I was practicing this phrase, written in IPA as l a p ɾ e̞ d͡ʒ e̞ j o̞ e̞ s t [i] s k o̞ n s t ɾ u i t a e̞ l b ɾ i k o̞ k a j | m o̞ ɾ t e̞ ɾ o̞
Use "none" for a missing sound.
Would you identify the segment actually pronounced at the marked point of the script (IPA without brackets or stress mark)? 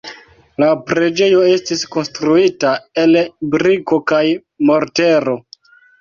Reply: i